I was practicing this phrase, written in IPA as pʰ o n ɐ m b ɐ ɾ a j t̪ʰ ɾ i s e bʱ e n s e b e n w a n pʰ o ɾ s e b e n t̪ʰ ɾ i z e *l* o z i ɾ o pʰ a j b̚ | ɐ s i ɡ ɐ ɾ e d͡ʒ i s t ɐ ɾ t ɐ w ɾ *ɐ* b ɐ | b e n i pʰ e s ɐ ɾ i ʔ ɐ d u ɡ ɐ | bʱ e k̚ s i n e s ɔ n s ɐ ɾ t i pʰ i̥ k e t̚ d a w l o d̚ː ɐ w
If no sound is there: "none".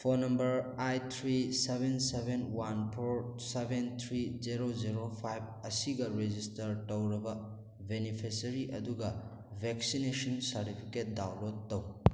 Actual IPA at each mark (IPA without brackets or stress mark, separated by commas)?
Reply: ɾ, ɐ